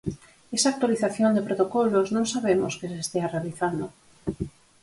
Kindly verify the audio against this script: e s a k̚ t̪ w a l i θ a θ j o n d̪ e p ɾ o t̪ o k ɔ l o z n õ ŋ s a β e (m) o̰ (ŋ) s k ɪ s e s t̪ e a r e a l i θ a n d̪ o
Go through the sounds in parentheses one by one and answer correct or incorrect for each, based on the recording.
correct, incorrect: none

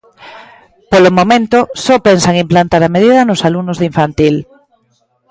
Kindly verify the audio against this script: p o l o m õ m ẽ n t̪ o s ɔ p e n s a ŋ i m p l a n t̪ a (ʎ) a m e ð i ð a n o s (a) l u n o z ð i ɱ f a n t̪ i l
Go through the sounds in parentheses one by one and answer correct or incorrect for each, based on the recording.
incorrect: ɾ, correct

